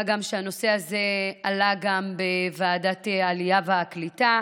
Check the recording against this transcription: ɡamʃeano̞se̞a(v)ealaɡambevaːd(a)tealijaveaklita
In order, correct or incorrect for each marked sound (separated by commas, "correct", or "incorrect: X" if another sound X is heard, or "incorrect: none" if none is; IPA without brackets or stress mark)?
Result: incorrect: z, correct